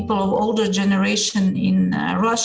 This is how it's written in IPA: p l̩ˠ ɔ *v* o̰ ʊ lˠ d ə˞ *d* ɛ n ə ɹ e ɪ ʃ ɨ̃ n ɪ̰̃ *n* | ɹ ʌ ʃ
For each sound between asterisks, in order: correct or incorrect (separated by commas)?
correct, incorrect, correct